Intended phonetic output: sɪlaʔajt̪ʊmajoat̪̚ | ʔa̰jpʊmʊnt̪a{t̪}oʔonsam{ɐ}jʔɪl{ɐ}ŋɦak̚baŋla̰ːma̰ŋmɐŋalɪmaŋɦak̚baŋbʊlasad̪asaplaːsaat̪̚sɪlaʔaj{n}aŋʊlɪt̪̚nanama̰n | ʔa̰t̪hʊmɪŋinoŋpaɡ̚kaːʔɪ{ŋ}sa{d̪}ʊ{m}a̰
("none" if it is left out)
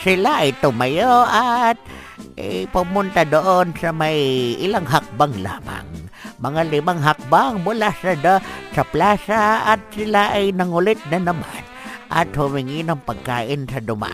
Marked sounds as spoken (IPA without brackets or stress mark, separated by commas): d̪, a, a, n, n, d̪, m